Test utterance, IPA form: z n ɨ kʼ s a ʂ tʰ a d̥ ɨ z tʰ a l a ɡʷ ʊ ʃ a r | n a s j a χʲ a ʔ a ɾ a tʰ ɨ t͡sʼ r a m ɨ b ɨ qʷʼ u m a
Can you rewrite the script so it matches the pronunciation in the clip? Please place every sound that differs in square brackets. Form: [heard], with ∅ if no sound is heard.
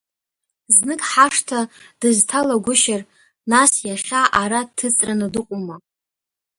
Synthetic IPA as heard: z n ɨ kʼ [ħ] a ʂ tʰ a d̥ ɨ z tʰ a l a ɡʷ ʊ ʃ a r | n a s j a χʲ a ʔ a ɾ a tʰ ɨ t͡sʼ r a [n] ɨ [d] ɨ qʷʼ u m a